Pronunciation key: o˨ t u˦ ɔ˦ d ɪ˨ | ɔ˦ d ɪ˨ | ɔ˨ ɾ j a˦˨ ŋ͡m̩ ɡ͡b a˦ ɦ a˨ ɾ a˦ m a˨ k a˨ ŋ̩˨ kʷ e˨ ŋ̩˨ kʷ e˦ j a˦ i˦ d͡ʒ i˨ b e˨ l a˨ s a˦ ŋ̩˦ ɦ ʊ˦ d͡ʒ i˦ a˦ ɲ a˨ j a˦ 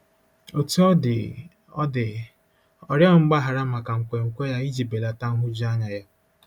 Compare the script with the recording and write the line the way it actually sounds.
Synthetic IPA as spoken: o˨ t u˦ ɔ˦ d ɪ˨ | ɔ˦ d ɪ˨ | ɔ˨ ɾ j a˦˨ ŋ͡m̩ ɡ͡b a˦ ɦ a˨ ɾ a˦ m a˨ k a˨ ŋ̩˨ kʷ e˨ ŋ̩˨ kʷ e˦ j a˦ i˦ d͡ʒ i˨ b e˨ l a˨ t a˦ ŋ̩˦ ɦ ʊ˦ d͡ʒ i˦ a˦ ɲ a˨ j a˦